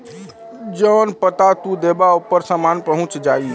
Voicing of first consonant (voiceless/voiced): voiced